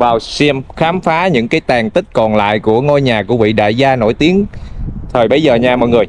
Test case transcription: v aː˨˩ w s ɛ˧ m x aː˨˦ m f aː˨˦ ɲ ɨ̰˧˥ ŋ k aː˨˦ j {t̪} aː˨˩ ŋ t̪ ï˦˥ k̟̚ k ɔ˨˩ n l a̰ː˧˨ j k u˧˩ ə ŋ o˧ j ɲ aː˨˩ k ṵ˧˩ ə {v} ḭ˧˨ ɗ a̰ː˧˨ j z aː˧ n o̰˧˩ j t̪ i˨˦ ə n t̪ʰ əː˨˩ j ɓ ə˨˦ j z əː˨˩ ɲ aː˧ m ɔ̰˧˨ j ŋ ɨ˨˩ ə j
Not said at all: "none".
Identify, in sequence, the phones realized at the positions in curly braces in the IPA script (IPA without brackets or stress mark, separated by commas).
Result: t̪, v